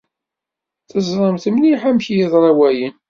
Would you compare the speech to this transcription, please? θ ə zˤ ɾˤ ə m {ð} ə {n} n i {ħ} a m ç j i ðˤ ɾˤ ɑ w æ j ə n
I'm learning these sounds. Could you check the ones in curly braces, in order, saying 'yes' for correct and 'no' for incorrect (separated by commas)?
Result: no, no, yes